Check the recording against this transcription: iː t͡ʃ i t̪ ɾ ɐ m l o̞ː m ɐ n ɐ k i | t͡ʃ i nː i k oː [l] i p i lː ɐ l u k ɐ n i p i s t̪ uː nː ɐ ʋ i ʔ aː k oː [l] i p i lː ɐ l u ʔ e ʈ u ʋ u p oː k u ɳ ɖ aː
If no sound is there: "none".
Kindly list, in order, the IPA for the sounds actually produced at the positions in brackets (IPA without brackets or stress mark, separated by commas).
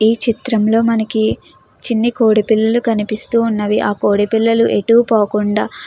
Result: ɽ, ɽ